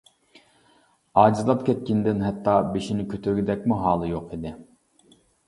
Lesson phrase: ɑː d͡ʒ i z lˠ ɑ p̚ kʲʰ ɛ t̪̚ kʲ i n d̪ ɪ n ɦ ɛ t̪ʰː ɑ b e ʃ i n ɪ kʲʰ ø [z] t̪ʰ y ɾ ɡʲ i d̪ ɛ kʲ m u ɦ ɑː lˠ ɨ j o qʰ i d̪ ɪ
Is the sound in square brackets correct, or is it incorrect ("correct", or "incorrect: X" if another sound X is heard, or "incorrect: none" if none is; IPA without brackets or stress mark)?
incorrect: none